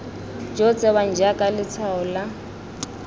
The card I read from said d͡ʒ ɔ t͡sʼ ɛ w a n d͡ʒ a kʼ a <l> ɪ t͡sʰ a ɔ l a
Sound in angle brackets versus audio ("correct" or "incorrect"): correct